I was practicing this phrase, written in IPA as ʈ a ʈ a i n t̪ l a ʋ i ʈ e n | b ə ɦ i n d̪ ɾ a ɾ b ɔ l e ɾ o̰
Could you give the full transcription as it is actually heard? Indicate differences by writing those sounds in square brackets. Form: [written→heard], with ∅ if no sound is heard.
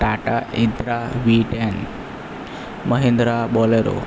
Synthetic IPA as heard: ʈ a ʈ a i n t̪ [l→ɾ] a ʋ i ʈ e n | [b→m] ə ɦ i n d̪ ɾ a [ɾ→∅] b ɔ l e ɾ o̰